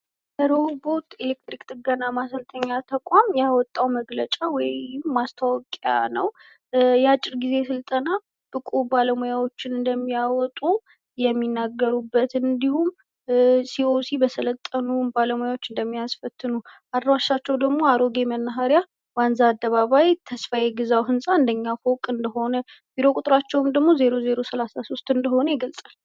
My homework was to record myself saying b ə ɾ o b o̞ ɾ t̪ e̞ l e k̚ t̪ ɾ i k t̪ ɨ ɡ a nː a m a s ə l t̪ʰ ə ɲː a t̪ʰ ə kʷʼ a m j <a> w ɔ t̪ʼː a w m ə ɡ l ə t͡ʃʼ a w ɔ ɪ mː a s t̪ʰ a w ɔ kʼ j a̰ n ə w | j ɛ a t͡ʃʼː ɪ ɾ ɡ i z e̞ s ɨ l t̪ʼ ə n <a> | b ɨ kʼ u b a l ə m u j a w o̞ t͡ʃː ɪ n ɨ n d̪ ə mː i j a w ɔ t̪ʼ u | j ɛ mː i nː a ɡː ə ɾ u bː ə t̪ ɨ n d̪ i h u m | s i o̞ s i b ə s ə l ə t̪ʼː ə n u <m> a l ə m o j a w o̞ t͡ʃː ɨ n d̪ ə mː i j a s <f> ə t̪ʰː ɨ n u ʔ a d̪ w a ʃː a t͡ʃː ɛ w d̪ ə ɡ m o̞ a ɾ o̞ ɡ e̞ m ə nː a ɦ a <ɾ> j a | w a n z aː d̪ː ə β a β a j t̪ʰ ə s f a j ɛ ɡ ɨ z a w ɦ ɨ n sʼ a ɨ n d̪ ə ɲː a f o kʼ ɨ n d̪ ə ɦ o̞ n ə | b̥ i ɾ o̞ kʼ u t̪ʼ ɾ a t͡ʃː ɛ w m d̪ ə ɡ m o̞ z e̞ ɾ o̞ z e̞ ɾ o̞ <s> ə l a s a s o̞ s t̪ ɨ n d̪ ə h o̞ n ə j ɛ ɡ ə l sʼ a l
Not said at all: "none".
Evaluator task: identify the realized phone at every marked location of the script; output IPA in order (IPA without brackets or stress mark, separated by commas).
a, a, b, f, ɾ, s